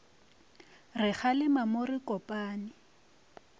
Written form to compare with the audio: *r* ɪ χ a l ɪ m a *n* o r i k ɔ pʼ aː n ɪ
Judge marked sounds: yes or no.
yes, no

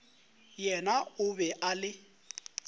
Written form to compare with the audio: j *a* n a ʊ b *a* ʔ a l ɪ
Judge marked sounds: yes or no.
no, no

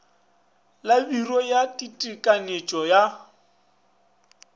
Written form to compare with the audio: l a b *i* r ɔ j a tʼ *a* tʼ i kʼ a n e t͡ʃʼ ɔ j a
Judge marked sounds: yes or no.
yes, no

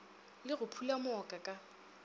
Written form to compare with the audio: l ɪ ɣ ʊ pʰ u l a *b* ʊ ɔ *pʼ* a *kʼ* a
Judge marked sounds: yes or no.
no, no, yes

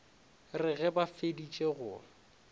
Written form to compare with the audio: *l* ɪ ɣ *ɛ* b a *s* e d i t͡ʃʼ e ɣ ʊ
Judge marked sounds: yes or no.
no, yes, no

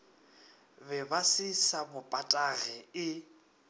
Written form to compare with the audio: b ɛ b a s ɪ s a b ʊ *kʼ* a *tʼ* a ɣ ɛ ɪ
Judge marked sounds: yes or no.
no, yes

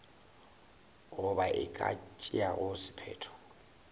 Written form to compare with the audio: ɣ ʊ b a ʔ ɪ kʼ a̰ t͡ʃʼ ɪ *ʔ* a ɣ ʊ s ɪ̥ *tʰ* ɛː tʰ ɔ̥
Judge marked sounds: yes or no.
no, no

